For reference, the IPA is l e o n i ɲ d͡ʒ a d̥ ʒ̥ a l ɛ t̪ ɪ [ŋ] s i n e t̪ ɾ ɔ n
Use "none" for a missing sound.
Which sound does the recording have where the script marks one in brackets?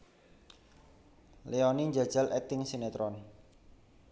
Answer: ŋ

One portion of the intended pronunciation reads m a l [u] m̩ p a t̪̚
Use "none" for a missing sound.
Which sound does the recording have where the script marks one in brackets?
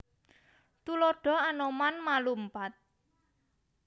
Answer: u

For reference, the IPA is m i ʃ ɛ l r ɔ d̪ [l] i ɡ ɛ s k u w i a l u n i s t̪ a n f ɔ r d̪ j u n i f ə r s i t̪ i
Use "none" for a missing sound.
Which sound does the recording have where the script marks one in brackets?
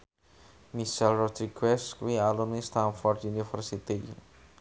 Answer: ɾ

